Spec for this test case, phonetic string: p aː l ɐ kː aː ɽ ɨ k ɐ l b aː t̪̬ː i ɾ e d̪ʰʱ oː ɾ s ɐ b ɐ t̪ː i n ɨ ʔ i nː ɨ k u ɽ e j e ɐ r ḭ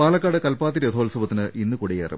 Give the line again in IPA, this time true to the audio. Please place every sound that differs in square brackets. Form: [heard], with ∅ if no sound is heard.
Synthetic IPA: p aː l ɐ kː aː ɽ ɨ k ɐ l [p] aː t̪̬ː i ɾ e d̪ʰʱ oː [l] s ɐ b ɐ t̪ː i n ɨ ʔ i nː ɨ k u ɽ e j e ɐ r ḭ